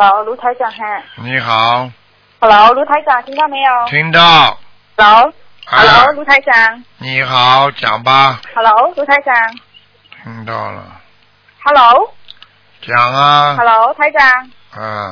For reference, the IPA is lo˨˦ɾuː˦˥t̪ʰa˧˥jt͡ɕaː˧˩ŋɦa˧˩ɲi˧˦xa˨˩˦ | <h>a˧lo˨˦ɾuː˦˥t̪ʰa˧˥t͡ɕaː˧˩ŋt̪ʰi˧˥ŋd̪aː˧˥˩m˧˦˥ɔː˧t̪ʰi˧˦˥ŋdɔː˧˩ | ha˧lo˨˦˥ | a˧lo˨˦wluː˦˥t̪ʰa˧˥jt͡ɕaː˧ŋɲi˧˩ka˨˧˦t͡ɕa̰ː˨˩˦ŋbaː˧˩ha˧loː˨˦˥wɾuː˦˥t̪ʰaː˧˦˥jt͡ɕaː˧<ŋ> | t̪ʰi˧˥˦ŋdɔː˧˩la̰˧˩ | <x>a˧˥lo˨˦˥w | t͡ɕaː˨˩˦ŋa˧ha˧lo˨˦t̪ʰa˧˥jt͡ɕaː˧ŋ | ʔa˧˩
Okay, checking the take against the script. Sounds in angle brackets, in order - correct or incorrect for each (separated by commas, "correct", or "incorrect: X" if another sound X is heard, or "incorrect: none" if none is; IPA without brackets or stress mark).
correct, correct, incorrect: h